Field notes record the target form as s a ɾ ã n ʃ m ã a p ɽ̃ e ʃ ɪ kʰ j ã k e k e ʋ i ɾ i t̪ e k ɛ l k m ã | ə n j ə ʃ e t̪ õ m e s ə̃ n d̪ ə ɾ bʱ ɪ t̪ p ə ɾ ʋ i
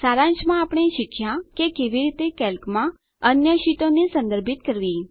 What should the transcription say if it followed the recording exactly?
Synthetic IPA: s a ɾ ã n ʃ m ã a p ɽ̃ e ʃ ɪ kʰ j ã k e k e ʋ i ɾ i t̪ e k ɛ l k m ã | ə n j ə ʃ i t̪ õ n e s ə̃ n d̪ ə ɾ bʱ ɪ t̪ k ə ɾ ʋ i